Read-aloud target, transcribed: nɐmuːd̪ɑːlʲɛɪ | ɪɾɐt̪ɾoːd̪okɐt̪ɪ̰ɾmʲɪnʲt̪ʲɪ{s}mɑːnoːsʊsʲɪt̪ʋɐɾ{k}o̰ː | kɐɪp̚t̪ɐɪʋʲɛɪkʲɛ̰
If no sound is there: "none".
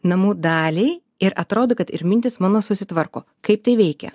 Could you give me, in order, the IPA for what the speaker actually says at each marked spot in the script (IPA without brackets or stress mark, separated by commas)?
s, k